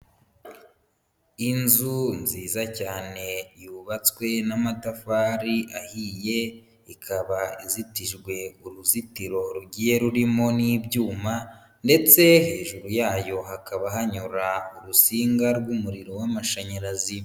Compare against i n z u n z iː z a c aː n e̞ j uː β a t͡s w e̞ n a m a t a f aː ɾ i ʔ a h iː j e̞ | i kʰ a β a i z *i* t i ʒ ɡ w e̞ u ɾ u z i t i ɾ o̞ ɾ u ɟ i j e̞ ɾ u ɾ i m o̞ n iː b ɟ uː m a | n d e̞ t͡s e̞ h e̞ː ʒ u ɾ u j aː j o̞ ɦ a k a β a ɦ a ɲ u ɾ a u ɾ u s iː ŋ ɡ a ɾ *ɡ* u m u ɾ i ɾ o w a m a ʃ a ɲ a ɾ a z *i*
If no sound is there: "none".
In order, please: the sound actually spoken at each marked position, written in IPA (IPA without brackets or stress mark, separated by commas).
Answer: i, ɡ, i